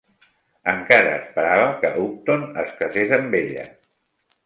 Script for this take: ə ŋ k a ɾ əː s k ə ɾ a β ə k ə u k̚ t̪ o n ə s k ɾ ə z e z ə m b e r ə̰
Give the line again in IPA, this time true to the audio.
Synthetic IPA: ə ŋ k a ɾ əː s p ə ɾ a β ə k ə u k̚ t̪ o n ə s k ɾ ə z e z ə m b e ʎ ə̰